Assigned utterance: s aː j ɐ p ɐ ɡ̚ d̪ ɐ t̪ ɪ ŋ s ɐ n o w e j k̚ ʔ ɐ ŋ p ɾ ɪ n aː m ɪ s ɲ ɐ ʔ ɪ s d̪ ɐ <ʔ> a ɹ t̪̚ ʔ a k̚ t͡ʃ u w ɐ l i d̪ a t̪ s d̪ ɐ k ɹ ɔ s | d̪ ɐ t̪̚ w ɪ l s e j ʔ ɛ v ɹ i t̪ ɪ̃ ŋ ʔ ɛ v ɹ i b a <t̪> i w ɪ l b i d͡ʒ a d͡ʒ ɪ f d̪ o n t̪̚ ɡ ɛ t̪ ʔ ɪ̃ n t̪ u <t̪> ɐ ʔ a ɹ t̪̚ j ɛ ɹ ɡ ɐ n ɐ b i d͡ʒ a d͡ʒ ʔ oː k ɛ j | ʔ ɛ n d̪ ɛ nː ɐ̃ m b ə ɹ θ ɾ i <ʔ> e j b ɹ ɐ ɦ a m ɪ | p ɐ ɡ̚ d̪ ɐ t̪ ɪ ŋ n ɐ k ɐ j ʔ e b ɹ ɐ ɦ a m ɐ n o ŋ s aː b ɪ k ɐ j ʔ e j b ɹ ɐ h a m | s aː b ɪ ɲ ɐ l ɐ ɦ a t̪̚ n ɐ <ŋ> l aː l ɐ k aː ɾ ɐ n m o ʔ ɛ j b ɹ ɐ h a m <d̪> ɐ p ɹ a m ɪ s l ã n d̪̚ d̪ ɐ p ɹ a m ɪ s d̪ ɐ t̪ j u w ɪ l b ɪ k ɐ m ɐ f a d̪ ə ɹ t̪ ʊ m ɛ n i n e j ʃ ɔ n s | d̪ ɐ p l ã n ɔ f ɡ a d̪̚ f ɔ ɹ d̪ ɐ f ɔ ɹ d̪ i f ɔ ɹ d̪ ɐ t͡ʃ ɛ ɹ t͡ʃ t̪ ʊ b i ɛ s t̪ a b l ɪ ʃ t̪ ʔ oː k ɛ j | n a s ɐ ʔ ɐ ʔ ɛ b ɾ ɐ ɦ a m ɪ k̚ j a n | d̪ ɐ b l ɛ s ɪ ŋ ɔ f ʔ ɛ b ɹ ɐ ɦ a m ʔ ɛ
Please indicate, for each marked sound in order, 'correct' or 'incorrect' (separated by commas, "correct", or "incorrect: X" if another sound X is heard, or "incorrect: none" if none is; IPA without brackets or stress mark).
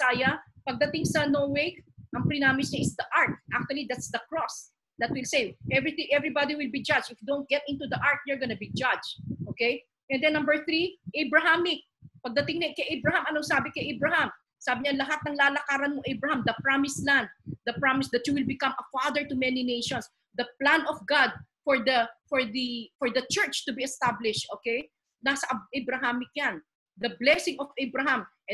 correct, incorrect: d̪, incorrect: d̪, correct, correct, correct